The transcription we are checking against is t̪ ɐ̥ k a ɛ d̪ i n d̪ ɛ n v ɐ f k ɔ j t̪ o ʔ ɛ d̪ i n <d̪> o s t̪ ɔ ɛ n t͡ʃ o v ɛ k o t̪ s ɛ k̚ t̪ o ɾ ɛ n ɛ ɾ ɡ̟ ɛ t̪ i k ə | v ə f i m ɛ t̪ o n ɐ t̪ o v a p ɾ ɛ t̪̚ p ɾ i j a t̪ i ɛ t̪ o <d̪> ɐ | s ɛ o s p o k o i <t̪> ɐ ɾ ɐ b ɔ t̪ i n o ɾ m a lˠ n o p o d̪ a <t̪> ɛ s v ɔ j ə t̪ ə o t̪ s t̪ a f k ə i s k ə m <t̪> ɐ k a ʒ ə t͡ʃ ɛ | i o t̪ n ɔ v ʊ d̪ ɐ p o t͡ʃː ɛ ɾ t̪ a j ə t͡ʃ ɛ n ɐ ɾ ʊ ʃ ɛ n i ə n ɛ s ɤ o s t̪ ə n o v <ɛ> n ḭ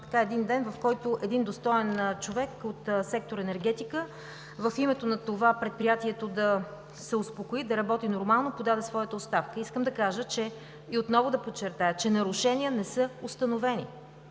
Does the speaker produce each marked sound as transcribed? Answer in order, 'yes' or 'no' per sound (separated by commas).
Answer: yes, yes, no, no, no, yes